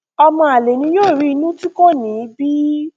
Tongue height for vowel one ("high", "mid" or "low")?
mid